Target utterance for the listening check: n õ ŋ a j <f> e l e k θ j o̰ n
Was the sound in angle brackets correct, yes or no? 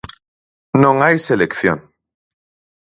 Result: no